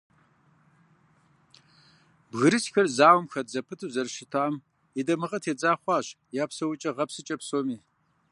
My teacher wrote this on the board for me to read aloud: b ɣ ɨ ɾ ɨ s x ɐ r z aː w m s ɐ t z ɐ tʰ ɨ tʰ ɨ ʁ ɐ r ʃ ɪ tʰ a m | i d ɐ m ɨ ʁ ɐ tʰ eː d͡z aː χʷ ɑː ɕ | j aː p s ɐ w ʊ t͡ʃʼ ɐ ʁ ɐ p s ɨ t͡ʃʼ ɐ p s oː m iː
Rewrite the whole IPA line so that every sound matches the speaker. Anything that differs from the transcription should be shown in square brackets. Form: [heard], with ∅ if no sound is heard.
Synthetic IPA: b ɣ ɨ ɾ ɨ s x ɐ r z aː w m [x] ɐ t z ɐ [pʰ] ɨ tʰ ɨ [z] ɐ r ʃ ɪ tʰ a m | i d ɐ m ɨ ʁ ɐ tʰ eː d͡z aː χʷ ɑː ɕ | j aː p s ɐ w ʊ t͡ʃʼ ɐ ʁ ɐ p s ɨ t͡ʃʼ ɐ p s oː m iː